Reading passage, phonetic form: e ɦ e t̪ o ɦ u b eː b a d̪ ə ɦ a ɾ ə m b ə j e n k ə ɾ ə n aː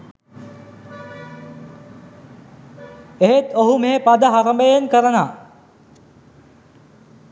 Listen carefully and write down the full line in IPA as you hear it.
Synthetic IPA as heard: e ɦ e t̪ o ɦ u m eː p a d̪ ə ɦ a ɾ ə m b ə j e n k ə ɾ ə n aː